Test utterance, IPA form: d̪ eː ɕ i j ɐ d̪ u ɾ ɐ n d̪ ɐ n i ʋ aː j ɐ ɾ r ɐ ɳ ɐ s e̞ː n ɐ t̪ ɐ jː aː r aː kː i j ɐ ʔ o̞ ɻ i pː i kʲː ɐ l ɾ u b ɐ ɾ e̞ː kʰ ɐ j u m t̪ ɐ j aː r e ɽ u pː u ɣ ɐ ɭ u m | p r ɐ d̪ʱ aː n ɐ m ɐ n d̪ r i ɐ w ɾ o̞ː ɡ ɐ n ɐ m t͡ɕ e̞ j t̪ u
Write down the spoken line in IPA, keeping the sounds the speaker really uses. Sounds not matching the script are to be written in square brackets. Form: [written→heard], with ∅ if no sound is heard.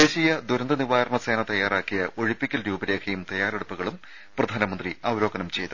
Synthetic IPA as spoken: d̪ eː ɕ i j ɐ d̪ u ɾ ɐ n d̪ ɐ n i ʋ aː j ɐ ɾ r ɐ ɳ ɐ s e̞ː n ɐ t̪ ɐ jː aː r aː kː i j ɐ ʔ o̞ ɻ i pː i kʲː ɐ l ɾ [u→uː] b ɐ ɾ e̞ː kʰ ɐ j u m t̪ ɐ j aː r e ɽ u pː u ɣ ɐ ɭ u m | p r ɐ d̪ʱ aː n ɐ m ɐ n d̪ r i ɐ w ɾ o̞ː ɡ ɐ n ɐ m t͡ɕ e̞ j t̪ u